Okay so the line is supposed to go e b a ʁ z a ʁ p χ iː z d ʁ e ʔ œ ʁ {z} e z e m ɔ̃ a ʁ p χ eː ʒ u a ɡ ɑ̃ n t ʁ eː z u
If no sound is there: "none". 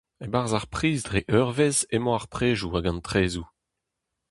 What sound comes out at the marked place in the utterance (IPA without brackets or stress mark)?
v